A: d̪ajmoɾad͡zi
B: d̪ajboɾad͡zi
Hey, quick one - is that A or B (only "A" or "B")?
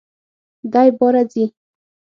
B